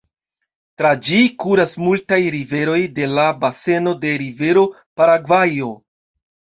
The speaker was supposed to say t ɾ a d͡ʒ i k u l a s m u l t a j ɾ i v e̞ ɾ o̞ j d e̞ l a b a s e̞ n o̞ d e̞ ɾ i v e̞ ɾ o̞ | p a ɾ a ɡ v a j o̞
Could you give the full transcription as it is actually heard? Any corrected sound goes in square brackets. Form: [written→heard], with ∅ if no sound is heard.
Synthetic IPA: t ɾ a d͡ʒ i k u [l→ɾ] a s m u l t a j ɾ i v e̞ ɾ o̞ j d e̞ l a b a s e̞ n o̞ d e̞ ɾ i v e̞ ɾ o̞ | p a ɾ a ɡ v a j o̞